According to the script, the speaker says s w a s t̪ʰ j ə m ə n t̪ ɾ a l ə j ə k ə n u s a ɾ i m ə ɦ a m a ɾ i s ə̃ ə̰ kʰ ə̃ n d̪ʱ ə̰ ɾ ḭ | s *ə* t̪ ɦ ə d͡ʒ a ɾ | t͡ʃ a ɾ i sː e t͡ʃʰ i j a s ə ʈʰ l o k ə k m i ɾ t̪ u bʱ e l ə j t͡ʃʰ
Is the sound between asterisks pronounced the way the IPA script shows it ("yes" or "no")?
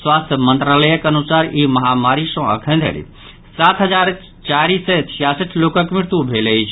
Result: no